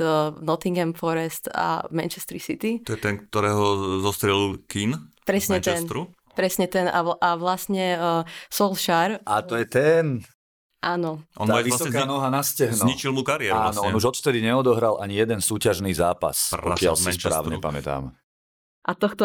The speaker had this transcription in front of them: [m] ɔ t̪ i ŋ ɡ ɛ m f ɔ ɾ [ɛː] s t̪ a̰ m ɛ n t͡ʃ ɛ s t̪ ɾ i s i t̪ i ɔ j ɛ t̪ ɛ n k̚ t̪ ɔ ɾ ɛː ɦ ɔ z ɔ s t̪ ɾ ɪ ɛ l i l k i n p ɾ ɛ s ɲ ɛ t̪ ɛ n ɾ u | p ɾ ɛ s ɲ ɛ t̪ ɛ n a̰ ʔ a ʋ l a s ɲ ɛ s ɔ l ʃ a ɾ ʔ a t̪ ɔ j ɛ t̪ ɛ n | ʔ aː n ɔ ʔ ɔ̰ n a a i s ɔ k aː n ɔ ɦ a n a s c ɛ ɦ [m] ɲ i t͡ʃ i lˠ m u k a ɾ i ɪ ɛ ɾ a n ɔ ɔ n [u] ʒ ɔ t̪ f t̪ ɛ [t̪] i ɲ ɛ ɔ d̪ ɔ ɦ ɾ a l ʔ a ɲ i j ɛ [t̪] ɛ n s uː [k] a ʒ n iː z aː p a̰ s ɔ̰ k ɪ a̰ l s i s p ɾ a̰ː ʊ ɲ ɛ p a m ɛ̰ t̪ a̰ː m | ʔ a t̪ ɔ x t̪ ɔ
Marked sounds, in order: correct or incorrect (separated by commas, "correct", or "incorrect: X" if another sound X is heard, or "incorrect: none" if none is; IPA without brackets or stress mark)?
incorrect: n, incorrect: ɛ, incorrect: n, correct, incorrect: d̪, incorrect: d̪, incorrect: c